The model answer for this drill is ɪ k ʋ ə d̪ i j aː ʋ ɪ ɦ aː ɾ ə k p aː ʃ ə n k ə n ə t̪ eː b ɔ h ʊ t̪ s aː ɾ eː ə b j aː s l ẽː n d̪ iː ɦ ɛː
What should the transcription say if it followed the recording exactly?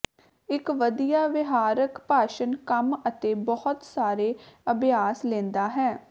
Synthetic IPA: ɪ k ʋ ə d̪ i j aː ʋ ɪ ɦ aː ɾ ə k p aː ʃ ə n k ə m ə t̪ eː b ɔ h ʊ t̪ s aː ɾ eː ə b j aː s l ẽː n d̪ aː ɦ ɛː